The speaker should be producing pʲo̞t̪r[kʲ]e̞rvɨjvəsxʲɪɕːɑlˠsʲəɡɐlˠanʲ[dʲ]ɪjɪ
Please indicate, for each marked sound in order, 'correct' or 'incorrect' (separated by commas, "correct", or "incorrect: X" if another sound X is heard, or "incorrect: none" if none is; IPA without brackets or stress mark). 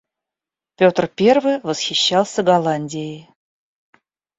incorrect: pʲ, correct